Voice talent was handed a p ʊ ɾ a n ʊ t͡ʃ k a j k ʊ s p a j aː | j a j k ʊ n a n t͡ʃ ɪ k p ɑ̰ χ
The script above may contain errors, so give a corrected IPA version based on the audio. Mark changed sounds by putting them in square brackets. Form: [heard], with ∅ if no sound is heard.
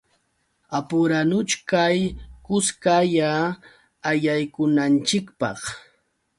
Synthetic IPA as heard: a p ʊ ɾ a n ʊ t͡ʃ k a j k ʊ s [k] a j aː | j a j k ʊ n a n t͡ʃ ɪ k p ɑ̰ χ